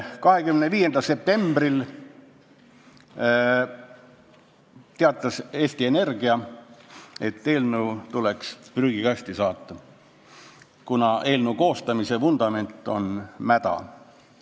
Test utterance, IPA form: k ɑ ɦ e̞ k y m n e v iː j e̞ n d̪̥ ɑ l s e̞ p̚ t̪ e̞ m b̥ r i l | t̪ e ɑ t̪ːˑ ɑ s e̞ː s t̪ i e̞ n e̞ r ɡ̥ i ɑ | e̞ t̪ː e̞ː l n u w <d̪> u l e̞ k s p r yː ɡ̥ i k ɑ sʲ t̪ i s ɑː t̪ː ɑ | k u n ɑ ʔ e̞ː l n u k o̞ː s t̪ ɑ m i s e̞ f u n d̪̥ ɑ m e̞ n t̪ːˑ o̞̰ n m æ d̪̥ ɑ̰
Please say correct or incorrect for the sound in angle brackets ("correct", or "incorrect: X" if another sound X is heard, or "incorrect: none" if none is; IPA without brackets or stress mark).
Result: incorrect: t̪